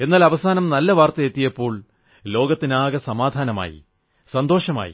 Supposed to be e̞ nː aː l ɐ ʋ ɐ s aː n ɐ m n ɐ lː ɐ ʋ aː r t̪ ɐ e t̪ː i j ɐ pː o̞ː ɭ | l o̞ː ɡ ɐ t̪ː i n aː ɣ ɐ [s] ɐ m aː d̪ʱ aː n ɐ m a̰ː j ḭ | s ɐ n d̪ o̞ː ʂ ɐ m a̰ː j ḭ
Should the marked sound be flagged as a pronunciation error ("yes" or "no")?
no